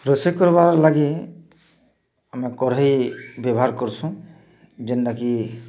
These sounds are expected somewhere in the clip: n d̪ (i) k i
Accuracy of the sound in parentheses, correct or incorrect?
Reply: incorrect